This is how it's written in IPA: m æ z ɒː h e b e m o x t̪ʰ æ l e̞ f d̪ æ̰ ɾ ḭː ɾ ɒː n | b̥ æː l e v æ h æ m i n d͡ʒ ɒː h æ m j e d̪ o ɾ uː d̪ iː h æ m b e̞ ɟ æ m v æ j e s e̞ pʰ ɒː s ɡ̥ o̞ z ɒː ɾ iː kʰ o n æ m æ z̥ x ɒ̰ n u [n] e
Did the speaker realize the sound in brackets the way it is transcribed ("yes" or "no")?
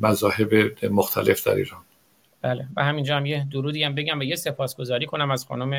no